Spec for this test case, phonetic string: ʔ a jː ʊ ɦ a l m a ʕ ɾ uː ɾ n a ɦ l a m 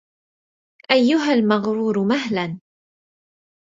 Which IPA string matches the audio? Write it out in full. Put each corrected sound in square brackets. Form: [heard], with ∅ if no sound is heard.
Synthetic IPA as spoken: ʔ a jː ʊ ɦ a l m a [ɣ] ɾ uː ɾ [m] a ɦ l a [n]